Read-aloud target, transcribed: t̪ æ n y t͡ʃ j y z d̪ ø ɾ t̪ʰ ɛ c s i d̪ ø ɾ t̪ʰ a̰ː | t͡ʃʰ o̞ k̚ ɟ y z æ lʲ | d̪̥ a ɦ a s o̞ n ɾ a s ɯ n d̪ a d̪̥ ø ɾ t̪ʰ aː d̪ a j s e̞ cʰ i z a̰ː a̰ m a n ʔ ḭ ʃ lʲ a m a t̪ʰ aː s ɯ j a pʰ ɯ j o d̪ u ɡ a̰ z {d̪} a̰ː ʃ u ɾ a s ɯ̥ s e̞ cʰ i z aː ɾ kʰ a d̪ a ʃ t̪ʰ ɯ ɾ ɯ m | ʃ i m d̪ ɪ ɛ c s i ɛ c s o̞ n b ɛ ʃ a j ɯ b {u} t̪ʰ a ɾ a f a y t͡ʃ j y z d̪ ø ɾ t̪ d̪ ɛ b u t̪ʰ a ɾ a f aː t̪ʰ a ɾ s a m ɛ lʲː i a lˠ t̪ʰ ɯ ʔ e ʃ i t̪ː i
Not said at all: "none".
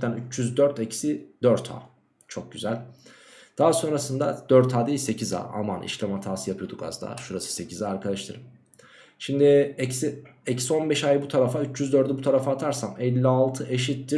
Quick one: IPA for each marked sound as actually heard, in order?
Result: d̪, u

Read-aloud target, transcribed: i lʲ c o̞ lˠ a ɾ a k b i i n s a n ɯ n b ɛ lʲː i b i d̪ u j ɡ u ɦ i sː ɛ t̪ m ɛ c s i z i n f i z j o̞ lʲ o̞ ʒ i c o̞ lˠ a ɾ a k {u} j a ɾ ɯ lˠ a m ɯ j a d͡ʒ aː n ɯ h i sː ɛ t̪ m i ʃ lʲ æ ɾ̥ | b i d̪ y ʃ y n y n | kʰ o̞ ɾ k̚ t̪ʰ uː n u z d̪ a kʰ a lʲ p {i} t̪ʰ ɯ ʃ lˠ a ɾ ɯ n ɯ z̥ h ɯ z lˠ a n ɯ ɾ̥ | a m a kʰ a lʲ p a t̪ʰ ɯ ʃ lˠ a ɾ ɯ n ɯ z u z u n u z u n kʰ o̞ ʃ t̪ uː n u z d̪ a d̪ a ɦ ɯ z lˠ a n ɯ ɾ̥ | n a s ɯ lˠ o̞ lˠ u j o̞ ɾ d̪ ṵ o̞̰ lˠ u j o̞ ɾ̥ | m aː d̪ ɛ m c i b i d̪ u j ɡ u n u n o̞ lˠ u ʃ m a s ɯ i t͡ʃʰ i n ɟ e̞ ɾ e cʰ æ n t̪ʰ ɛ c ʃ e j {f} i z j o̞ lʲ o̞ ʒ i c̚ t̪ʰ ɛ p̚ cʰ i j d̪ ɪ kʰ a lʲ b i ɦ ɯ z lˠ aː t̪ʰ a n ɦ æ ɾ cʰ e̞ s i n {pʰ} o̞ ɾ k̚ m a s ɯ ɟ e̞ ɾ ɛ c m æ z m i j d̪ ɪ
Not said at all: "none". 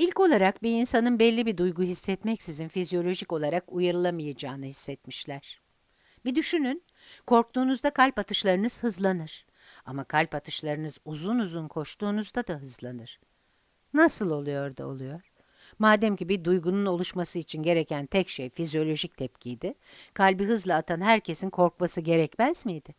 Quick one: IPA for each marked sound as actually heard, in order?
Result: u, a, f, kʰ

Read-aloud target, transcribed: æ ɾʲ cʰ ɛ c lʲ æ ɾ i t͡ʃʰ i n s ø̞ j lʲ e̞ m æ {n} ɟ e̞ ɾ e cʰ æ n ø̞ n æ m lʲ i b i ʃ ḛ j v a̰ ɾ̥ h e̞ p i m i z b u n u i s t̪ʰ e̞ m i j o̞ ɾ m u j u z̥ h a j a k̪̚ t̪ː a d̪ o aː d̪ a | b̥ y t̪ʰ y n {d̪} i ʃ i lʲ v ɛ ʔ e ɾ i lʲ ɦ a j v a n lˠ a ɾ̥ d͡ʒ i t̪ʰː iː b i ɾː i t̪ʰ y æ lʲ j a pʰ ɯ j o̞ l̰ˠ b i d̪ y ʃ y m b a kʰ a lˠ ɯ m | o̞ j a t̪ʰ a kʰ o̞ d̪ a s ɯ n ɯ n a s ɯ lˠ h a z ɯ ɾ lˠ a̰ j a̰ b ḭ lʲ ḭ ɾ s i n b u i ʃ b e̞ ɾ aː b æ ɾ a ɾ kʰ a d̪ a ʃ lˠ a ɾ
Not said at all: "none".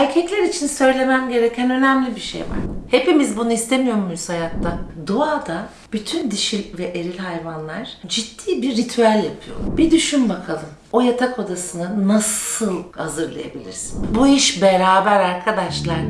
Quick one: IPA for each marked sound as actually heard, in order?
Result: m, d̪

